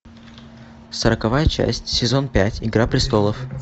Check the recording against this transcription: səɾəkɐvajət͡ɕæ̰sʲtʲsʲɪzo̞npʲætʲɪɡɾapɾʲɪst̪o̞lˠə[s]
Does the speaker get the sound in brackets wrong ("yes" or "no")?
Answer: yes